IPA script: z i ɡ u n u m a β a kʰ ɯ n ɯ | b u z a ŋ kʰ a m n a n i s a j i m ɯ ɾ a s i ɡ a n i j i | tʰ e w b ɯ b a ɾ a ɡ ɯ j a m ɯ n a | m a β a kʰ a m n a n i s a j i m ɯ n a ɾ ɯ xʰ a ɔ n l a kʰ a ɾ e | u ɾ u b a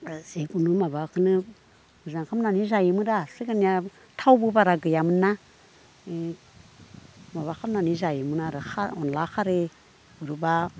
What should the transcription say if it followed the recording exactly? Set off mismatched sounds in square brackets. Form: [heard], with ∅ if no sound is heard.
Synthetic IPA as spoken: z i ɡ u n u m a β a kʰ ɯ n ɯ | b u z a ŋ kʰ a m n a n i [z] a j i m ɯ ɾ a s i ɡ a n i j [a] | tʰ [a] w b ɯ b a ɾ a ɡ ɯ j a m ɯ n a | m a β a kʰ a m n a n i [z] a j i m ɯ n a ɾ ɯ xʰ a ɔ n l a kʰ a ɾ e | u ɾ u b a

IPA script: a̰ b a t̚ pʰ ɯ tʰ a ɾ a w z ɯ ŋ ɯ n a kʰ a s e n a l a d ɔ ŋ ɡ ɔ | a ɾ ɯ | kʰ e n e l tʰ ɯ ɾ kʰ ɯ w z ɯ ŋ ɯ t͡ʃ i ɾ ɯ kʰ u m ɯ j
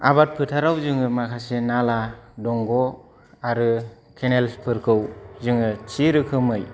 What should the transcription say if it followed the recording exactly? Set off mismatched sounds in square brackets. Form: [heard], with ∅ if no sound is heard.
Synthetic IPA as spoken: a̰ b a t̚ pʰ ɯ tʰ a ɾ a w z ɯ ŋ ɯ [m] a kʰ a s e n a l a d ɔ ŋ ɡ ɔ | a ɾ ɯ | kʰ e n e l [pʰ] ɯ ɾ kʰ ɯ w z ɯ ŋ ɯ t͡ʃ i ɾ ɯ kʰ [ɯ] m ɯ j

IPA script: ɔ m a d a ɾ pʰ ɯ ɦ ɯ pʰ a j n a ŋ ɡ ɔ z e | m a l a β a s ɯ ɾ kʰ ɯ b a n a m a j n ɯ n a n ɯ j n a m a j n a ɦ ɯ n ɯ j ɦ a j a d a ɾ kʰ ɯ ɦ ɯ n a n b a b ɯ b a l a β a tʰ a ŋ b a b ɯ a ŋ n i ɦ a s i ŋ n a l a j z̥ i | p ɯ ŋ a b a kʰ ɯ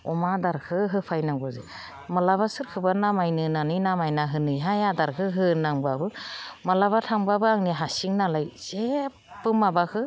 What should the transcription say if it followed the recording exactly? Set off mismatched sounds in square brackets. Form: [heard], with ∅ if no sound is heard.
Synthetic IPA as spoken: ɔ m a d a ɾ [kʰ] ɯ ɦ ɯ pʰ a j n a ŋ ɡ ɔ z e | m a l a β a s ɯ ɾ kʰ ɯ b a n a m a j n ɯ n a n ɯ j n a m a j n a ɦ ɯ n ɯ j ɦ a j a d a ɾ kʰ ɯ ɦ ɯ n a [ŋ] b a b ɯ [m] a l a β a tʰ a ŋ b a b ɯ a ŋ n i ɦ a s i ŋ n a l a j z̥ [e] | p ɯ [m] a b a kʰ ɯ

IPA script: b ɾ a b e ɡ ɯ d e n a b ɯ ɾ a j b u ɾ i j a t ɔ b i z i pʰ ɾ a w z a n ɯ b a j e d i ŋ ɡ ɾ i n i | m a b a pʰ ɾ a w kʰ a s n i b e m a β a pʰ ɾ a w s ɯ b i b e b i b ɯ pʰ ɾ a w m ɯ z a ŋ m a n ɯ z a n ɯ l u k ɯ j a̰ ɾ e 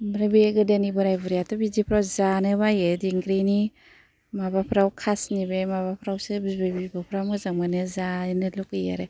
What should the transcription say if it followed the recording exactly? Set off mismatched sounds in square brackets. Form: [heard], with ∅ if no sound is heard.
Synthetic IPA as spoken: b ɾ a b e ɡ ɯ d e n [i] b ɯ ɾ a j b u ɾ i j a t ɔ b i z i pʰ ɾ a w z a n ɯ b a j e d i ŋ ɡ ɾ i n i | m a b a pʰ ɾ a w kʰ a s n i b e m a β a pʰ ɾ a w s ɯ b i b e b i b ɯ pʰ ɾ a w m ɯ z a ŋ m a n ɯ z a n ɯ l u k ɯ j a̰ ɾ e

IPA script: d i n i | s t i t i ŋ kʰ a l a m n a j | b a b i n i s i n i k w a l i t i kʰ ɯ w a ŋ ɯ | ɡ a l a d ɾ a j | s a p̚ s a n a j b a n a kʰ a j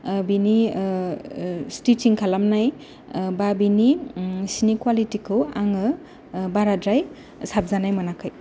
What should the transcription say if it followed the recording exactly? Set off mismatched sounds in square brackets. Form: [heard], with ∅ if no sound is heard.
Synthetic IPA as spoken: [b] i n i | s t i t i ŋ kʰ a l a m n a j | b a b i n i s i n i k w a l i t i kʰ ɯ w a ŋ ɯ | [b] a [ɾ] a d ɾ a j | s a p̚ [z] a n a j [m] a n a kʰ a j

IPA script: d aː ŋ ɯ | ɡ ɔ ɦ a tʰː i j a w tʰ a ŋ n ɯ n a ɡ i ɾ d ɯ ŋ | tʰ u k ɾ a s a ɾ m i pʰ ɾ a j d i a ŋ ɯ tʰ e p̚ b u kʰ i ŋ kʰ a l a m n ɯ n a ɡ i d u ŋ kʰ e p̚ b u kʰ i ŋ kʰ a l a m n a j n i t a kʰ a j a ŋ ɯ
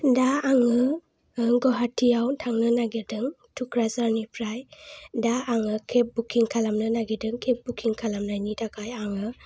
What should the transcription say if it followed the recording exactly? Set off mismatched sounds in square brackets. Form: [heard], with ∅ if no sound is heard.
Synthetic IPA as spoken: d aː ŋ ɯ | ɡ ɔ ɦ a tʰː i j a w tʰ a ŋ n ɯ n a ɡ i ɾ d ɯ ŋ | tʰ u k ɾ a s a ɾ [n] i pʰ ɾ a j d [a] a ŋ ɯ [kʰ] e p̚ b u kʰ i ŋ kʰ a l a m n ɯ n a ɡ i d [ɯ] ŋ kʰ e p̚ b u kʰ i ŋ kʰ a l a m n a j n i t a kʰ a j a ŋ ɯ

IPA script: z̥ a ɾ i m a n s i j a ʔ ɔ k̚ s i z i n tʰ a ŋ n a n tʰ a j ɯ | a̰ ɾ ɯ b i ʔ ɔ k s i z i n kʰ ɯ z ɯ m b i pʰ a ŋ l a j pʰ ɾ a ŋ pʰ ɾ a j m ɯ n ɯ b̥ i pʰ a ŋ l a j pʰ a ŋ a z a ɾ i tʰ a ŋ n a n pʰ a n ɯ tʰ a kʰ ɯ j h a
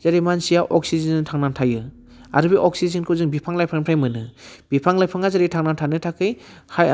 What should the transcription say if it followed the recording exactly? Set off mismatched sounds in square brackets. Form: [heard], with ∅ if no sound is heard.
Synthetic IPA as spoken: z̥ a ɾ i m a n s i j a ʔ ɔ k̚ s i z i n tʰ a ŋ n a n tʰ a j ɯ | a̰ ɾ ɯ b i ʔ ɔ k s i z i n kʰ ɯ z ɯ [ŋ] b i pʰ a ŋ l a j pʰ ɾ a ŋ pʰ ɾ a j m ɯ n ɯ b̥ i pʰ a ŋ l a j pʰ a ŋ a z a ɾ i tʰ a ŋ n a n [tʰ] a n ɯ tʰ a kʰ ɯ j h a

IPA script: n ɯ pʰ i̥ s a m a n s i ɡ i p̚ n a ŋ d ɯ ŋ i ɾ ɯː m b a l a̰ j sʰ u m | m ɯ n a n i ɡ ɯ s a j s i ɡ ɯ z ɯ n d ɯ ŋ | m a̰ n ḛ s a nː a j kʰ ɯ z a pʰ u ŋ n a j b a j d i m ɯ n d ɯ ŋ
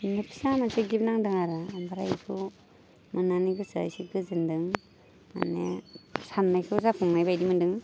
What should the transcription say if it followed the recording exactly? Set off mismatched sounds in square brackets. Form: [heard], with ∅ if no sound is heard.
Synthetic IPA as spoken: n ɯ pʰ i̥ s a m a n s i ɡ i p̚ n a ŋ d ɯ ŋ [a] ɾ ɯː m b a [ɾ] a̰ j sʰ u [∅] | m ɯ n a n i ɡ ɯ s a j s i ɡ ɯ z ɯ n d ɯ ŋ | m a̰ n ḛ s a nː a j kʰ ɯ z a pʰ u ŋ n a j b a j d i m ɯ n d ɯ ŋ

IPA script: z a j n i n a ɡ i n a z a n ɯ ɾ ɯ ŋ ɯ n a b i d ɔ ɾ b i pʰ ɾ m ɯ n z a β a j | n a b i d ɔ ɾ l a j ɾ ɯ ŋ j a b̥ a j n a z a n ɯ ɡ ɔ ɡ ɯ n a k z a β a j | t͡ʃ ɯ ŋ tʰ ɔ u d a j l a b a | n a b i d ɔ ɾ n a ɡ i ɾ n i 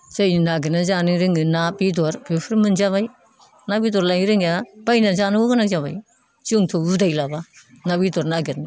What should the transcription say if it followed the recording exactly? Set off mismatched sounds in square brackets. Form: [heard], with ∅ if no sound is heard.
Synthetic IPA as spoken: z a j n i n a ɡ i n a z a n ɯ ɾ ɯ ŋ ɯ n a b i d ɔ ɾ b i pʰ ɾ m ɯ n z a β a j | n a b i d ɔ ɾ l a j ɾ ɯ ŋ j a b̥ a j n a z a n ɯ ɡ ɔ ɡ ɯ n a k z a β a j | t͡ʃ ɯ ŋ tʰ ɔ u d a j l a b a | n a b i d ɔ ɾ n a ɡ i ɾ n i

